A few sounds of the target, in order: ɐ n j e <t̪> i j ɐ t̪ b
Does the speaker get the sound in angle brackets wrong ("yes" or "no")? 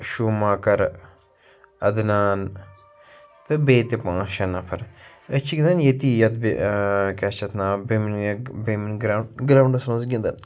no